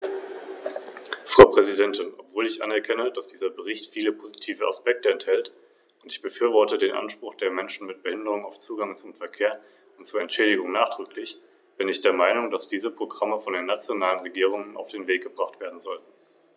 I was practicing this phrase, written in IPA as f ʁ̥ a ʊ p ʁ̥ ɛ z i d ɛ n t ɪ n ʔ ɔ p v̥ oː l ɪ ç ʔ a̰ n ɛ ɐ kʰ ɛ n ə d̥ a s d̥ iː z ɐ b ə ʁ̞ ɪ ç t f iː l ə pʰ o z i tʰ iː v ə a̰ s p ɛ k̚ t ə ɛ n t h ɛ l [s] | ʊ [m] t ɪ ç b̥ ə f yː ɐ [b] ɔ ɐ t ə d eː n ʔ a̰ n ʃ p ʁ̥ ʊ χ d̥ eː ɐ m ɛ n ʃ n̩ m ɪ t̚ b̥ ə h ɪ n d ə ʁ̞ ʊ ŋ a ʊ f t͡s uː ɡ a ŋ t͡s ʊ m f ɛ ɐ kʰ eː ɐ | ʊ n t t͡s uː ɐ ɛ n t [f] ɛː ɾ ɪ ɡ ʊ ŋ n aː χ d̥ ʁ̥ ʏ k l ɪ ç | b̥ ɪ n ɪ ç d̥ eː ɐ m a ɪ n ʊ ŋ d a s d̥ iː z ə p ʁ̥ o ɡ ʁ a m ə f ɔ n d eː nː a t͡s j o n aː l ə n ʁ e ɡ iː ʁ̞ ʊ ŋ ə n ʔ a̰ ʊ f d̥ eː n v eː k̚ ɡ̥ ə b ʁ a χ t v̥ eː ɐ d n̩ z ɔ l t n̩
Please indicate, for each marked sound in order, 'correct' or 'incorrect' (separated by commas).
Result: incorrect, incorrect, incorrect, incorrect